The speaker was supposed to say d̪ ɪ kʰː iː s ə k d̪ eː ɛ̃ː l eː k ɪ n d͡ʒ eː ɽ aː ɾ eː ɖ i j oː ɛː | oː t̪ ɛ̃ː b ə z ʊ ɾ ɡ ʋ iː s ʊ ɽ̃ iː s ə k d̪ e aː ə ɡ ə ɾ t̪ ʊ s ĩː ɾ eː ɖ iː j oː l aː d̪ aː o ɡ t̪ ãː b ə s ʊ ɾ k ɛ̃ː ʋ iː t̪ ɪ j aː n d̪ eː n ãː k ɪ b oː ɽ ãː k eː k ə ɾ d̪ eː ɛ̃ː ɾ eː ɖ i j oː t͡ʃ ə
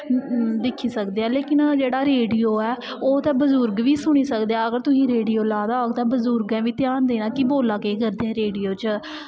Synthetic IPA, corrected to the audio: d̪ ɪ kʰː iː s ə k d̪ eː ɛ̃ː l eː k ɪ n d͡ʒ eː ɽ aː ɾ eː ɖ i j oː ɛː | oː t̪ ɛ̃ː b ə z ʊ ɾ ɡ ʋ iː s ʊ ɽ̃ iː s ə k d̪ e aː ə ɡ ə ɾ t̪ ʊ s ĩː ɾ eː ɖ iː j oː l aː d̪ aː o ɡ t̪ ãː b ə z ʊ ɾ ɡ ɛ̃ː ʋ iː t̪ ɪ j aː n d̪ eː n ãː k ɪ b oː l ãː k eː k ə ɾ d̪ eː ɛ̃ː ɾ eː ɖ i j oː t͡ʃ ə